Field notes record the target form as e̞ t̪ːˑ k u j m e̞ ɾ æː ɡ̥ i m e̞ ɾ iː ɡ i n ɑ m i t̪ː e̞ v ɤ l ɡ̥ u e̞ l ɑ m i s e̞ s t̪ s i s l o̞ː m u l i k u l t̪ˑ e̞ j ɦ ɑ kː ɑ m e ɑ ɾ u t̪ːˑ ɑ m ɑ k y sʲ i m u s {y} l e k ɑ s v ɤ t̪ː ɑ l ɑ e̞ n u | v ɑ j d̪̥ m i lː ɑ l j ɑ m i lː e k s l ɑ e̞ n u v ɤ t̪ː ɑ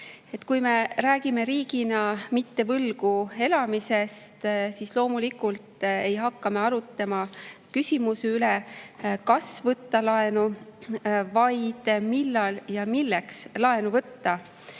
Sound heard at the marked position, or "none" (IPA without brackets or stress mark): y